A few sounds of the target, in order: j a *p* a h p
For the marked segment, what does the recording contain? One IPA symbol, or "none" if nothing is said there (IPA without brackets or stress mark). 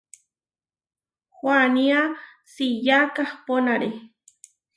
k